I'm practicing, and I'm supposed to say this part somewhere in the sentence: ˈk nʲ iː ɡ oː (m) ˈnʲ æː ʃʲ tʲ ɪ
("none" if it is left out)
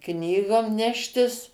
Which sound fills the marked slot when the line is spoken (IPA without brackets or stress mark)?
m